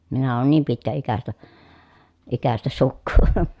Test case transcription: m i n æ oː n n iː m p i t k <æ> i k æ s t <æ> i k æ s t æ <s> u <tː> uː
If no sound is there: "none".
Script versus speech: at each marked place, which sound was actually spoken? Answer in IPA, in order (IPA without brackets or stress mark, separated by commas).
æ, æ, s, kː